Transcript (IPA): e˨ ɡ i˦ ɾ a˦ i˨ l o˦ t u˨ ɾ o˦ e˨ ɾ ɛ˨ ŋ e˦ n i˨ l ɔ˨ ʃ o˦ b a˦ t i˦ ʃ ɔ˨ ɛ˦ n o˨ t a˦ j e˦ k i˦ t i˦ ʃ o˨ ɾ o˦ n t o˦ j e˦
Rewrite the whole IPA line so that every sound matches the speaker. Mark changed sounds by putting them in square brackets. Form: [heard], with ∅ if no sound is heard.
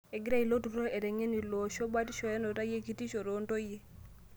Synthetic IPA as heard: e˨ ɡ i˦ ɾ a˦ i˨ l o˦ t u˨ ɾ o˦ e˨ ɾ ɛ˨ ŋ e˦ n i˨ l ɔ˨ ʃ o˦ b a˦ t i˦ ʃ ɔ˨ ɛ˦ n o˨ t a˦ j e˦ k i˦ t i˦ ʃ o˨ ɾ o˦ n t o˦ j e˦